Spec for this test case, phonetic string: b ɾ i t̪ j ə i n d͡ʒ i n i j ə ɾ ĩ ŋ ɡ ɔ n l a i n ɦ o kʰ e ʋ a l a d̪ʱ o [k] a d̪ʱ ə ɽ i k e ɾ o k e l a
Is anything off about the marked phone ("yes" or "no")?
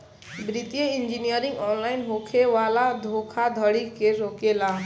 yes